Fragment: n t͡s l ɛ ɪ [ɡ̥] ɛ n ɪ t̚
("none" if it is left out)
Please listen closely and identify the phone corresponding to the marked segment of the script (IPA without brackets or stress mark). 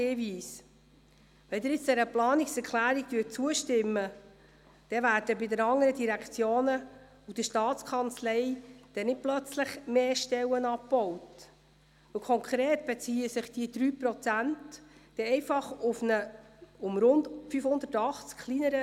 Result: d̥